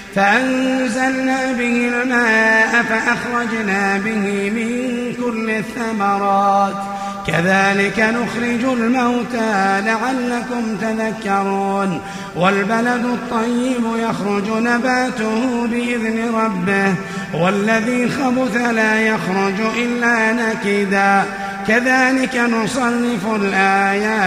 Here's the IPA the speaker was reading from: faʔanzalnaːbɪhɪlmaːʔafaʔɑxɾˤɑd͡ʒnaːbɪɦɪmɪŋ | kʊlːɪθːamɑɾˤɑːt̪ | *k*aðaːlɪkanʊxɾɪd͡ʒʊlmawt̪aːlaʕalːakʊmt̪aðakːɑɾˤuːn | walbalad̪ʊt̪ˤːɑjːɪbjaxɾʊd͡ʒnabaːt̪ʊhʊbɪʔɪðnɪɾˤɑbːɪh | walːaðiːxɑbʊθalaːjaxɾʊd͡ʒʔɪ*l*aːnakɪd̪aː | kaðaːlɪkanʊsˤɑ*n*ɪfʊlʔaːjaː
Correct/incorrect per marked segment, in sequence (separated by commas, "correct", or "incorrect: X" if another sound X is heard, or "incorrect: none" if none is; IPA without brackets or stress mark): correct, incorrect: lː, incorrect: nː